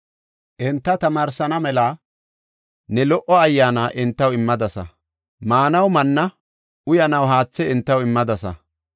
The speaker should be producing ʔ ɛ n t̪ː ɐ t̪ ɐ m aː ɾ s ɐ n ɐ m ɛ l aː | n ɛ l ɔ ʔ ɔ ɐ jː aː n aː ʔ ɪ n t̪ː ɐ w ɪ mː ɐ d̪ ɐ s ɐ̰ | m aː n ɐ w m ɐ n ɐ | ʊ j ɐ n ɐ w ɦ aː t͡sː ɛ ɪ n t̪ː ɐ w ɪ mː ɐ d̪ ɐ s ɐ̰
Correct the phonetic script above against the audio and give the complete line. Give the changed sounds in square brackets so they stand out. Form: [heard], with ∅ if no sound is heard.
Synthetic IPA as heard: ʔ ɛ n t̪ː ɐ t̪ ɐ m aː ɾ s ɐ n ɐ m ɛ l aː | n ɛ l ɔ ʔ ɔ ɐ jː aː n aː ʔ ɪ n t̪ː ɐ w ɪ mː ɐ d̪ ɐ s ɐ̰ | m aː n ɐ w m ɐ [nː] ɐ | ʊ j ɐ n ɐ w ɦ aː t͡sː ɛ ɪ n t̪ː ɐ w ɪ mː ɐ d̪ ɐ s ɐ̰

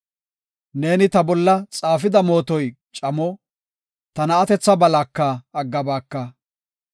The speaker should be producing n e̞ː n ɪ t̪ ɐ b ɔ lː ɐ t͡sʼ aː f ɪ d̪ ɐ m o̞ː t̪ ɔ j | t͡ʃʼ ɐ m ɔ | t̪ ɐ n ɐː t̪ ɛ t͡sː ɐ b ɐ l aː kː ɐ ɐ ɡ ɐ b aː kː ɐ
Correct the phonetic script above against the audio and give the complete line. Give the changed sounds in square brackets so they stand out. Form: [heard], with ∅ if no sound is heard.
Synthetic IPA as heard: n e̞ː n ɪ t̪ ɐ b ɔ lː ɐ t͡sʼ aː f ɪ d̪ ɐ m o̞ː t̪ ɔ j | t͡ʃʼ ɐ m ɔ | t̪ ɐ n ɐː t̪ ɛ t͡sː ɐ b ɐ l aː kː ɐ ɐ [ɡː] ɐ b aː kː ɐ

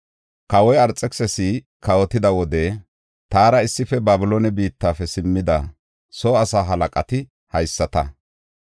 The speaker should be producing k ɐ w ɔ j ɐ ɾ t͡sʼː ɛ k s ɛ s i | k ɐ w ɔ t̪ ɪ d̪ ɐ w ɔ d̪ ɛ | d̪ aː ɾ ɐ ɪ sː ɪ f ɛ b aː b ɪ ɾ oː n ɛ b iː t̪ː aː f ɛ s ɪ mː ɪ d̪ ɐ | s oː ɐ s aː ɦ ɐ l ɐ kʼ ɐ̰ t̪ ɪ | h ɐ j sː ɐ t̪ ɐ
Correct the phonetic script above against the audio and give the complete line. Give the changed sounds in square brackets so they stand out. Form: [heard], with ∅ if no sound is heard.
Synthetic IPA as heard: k ɐ w ɔ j ɐ ɾ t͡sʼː ɛ k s ɛ s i | k ɐ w ɔ t̪ ɪ d̪ ɐ w ɔ d̪ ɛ | [t̪] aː ɾ ɐ ɪ sː ɪ f ɛ b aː b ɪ [l] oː n ɛ b iː t̪ː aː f ɛ s ɪ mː ɪ d̪ ɐ | s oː ɐ s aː ɦ ɐ l ɐ kʼ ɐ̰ t̪ ɪ | h ɐ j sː ɐ t̪ ɐ

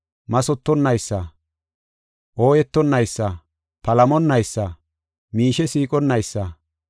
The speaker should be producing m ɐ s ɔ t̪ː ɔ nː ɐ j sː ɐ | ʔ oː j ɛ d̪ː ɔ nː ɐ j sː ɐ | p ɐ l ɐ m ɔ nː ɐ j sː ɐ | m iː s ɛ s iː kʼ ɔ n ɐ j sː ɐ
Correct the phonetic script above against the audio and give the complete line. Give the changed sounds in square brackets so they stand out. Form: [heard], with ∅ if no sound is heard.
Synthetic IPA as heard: m ɐ s ɔ t̪ː ɔ nː ɐ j sː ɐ | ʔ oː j ɛ [t̪ː] ɔ nː ɐ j sː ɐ | p ɐ l ɐ m ɔ nː ɐ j sː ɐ | m iː [ʃ] ɛ s iː kʼ ɔ [nː] ɐ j sː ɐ

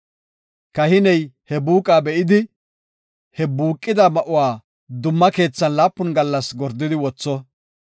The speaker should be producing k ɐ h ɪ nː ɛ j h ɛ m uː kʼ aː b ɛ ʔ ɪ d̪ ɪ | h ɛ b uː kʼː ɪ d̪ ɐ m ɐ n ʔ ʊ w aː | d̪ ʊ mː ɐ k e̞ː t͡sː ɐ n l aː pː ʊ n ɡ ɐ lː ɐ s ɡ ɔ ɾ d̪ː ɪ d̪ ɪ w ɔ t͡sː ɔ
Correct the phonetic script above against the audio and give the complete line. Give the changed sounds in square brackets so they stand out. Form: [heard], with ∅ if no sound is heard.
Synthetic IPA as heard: k ɐ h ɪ [n] ɛ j h ɛ [b] uː kʼ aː b ɛ ʔ ɪ d̪ ɪ | h ɛ b uː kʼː ɪ d̪ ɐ m ɐ [∅] ʔ ʊ w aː | d̪ ʊ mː ɐ k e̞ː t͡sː ɐ n l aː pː ʊ n ɡ ɐ lː ɐ s ɡ ɔ ɾ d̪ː ɪ d̪ ɪ w ɔ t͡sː ɔ

